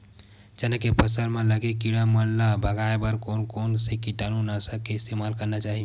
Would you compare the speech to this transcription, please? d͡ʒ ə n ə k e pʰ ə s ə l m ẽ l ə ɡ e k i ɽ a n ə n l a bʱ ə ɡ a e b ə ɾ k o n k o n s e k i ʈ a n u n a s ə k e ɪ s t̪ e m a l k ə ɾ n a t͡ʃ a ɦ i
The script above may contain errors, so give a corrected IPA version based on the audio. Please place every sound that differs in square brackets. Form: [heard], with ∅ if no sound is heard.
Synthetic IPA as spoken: d͡ʒ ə n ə k e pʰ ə s ə l m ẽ l ə ɡ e k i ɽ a [m] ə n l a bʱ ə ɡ a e b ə ɾ k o n k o n s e k i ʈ a n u n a s ə k e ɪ s t̪ e m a l k ə ɾ n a t͡ʃ a ɦ i